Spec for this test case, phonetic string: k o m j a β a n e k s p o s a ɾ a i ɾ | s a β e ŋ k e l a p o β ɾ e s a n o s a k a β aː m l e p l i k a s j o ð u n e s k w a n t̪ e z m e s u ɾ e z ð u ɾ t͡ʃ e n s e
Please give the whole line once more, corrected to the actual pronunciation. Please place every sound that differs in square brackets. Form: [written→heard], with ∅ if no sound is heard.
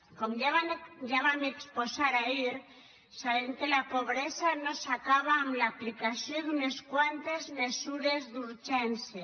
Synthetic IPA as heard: k o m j a β a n e k s p o s a ɾ a i ɾ | s a β e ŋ k e l a p o β ɾ e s a n o s a k a β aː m l [e→a] p l i k a s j o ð u n e s k w a n t̪ e z m e s u ɾ e z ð u ɾ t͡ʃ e n s e